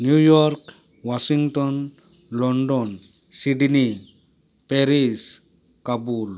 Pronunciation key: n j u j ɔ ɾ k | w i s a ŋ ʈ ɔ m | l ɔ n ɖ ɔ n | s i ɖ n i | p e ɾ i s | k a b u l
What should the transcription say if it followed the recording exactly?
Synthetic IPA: n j u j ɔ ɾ k | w a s i ŋ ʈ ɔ n | l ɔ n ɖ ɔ n | s i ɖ n i | p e ɾ i s | k a b u l

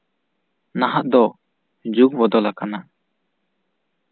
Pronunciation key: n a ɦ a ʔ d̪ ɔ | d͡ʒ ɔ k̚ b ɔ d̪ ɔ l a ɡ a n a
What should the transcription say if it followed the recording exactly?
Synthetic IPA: n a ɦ a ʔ d̪ ɔ | d͡ʒ u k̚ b ɔ d̪ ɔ l a k a n a

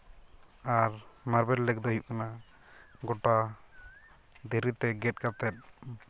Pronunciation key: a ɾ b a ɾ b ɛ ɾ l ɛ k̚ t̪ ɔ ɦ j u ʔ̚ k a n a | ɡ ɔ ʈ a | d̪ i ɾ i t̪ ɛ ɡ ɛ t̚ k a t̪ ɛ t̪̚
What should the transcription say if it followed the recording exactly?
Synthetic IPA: a ɾ m a ɾ b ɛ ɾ l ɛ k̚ d̪ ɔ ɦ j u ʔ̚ k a n a | ɡ ɔ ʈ a | d̪ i ɾ i t̪ ɛ ɡ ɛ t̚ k a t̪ ɛ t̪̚

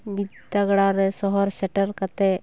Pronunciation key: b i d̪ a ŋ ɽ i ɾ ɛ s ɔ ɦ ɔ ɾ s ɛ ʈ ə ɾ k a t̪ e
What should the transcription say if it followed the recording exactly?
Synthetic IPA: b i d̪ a ɡ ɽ a ɾ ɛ s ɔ ɦ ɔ ɾ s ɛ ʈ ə ɾ k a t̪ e

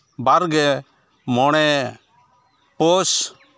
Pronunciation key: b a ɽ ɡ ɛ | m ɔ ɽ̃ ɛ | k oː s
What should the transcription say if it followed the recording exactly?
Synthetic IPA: b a ɾ ɡ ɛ | m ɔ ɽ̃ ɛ | p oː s

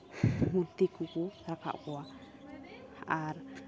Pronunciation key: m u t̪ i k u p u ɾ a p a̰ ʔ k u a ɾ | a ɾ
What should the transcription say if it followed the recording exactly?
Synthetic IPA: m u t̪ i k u k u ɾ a k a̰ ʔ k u a | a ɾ

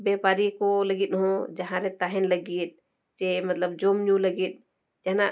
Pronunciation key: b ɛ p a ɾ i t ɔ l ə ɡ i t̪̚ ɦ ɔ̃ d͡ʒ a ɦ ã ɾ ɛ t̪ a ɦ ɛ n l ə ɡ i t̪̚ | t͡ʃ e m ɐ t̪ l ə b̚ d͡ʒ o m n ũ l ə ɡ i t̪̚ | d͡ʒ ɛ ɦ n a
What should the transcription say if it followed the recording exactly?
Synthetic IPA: b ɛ p a ɾ i k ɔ l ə ɡ i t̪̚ ɦ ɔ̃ d͡ʒ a ɦ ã ɾ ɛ t̪ a ɦ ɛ n l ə ɡ i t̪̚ | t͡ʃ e m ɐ t̪ l ə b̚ d͡ʒ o m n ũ l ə ɡ i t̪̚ | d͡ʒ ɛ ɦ n a

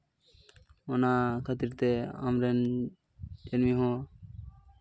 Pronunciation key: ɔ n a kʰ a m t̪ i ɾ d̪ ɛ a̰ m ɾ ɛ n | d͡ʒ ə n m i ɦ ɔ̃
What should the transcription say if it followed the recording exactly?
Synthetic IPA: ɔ n a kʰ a t̪ i ɾ t̪ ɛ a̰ m ɾ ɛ n | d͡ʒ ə n m i ɦ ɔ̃

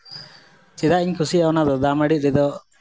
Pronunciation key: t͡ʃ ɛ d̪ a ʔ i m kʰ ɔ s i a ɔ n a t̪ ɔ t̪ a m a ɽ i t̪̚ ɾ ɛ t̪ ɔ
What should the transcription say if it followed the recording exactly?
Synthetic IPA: t͡ʃ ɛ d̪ a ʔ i ɲ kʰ u s i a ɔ n a d̪ ɔ d̪ a m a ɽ i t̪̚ ɾ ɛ d̪ ɔ

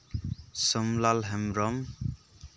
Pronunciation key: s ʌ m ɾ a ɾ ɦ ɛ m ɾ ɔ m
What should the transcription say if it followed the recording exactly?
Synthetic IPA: s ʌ m l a l ɦ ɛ m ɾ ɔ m

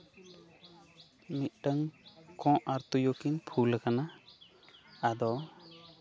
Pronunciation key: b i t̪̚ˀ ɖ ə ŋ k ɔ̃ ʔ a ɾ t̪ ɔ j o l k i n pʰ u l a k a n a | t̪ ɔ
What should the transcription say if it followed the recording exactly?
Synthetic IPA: m i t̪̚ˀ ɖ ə ŋ k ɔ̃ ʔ a ɾ t̪ u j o k i n pʰ u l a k a n a | d̪ ɔ

